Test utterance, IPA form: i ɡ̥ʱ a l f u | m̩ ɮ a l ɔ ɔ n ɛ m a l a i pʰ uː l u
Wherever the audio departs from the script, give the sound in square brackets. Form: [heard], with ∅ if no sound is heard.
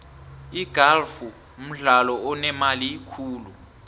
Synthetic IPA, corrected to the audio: i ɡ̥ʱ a l f u | m̩ ɮ a l ɔ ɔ n ɛ m a l [i] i [kʰ] uː l u